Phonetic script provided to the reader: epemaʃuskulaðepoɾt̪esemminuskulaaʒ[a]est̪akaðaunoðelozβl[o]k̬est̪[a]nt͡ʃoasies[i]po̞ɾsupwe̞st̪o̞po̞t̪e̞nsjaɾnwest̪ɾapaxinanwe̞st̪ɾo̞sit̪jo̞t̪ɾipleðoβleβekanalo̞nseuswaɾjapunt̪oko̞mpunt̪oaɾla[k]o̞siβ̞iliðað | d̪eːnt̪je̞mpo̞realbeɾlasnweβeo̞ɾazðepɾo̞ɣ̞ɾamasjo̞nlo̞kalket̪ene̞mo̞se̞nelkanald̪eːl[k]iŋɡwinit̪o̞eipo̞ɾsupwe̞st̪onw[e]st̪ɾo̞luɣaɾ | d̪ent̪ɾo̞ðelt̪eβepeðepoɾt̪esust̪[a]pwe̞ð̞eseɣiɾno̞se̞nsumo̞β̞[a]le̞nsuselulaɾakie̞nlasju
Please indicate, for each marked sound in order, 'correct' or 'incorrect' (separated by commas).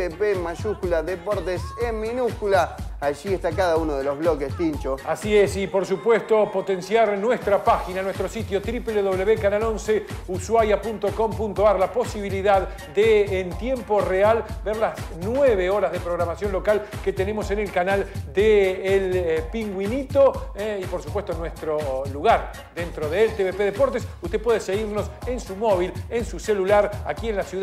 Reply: incorrect, correct, incorrect, correct, incorrect, incorrect, correct, incorrect, incorrect